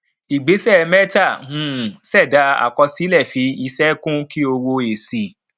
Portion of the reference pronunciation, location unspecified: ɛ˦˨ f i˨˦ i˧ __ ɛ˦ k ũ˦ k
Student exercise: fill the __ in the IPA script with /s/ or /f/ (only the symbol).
s